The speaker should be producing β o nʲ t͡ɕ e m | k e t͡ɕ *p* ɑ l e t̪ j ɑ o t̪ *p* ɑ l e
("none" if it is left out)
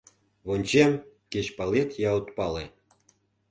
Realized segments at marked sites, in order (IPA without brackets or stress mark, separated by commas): p, p